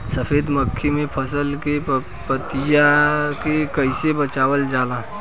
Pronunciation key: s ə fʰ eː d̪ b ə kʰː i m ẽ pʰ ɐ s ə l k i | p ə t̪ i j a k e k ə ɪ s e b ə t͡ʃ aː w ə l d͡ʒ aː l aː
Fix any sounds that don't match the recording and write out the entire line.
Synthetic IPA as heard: s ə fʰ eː d̪ m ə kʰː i m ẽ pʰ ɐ s ə l k e | p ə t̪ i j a k e k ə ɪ s e b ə t͡ʃ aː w ə l d͡ʒ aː l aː